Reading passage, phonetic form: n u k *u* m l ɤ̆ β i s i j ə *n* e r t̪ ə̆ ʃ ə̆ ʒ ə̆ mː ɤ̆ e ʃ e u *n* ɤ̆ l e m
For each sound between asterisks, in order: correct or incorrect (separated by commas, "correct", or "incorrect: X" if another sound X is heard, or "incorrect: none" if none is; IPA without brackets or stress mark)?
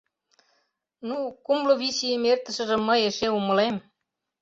correct, incorrect: m, incorrect: m